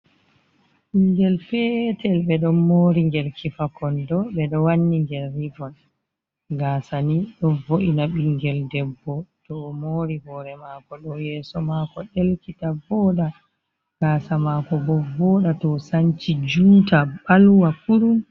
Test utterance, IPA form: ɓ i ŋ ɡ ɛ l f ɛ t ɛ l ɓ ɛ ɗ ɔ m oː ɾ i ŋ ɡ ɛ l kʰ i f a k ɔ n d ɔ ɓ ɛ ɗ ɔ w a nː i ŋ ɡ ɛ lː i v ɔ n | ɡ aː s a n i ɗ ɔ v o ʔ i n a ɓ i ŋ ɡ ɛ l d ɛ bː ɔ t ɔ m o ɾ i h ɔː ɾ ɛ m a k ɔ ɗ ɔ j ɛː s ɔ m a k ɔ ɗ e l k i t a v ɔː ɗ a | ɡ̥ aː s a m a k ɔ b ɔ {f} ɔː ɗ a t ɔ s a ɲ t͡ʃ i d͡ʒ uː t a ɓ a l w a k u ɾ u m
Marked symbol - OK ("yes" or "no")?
no